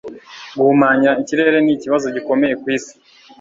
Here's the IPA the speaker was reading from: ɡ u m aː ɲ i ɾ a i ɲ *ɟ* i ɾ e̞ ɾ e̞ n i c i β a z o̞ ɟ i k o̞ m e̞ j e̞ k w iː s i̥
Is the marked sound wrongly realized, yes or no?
yes